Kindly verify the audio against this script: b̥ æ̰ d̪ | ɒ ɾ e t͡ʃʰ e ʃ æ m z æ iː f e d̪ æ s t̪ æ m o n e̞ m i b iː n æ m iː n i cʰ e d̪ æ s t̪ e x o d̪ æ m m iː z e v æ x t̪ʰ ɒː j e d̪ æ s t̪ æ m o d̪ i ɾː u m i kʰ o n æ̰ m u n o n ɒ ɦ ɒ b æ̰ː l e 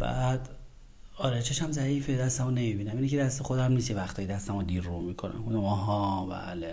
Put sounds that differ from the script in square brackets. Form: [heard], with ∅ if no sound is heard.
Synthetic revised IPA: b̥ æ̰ d̪ | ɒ ɾ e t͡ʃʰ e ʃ æ m z æ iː f e d̪ æ s t̪ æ m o n e̞ m i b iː n æ m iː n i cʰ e d̪ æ s t̪ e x o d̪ æ m [n] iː [s] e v æ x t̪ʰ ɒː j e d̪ æ s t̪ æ m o d̪ i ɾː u m i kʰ o n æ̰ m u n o [m] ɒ ɦ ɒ b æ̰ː l e